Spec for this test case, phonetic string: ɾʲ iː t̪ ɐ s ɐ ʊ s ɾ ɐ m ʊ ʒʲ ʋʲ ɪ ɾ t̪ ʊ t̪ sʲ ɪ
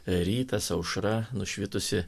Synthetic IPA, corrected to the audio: ɾʲ iː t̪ ɐ s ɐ ʊ ʃ ɾ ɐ n ʊ ʃʲ ʋʲ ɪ t̪ ʊ sʲ ɪ